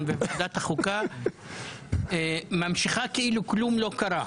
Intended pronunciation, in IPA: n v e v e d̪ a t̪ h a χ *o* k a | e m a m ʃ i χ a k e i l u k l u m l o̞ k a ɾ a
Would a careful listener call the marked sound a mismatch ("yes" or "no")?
yes